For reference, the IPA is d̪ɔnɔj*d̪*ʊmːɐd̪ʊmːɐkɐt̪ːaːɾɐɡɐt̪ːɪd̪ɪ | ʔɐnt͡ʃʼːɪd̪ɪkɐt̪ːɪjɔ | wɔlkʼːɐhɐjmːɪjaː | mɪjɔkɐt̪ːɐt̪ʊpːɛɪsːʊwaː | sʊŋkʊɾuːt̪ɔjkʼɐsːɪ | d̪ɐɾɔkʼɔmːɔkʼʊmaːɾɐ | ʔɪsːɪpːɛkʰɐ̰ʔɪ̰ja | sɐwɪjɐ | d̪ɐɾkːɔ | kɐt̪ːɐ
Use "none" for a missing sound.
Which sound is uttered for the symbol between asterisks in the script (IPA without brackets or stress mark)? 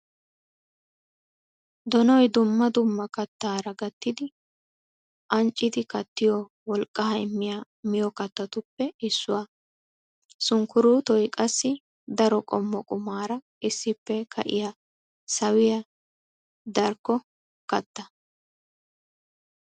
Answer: d̪